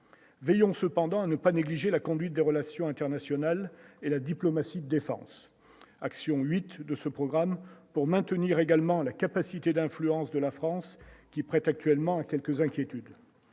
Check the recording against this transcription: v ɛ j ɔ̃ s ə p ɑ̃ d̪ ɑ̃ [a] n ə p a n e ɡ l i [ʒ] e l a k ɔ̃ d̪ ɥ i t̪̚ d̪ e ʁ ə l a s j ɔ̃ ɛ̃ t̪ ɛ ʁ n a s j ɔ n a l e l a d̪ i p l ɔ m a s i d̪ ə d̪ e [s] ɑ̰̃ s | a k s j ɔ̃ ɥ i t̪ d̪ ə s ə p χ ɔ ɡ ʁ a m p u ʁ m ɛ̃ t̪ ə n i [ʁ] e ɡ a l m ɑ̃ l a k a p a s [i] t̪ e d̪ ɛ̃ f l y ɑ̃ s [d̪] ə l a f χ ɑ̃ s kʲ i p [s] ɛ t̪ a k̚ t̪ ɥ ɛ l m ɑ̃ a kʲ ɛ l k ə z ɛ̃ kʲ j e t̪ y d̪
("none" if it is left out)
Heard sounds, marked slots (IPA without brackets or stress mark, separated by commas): a, ʒ, f, ʁ, i, d̪, χ